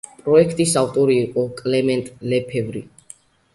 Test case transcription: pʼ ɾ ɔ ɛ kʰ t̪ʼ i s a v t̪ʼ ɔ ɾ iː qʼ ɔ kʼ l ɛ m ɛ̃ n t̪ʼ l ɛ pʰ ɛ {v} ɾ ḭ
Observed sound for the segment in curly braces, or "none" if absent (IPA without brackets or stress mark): v